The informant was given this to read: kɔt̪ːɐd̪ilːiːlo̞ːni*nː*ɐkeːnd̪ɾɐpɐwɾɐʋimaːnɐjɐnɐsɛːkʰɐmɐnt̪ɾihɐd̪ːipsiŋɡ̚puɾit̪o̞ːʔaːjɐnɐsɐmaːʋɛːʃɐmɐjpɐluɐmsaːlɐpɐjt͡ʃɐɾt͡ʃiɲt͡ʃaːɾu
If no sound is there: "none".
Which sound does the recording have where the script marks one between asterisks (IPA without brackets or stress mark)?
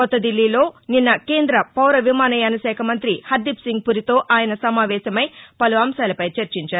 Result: nː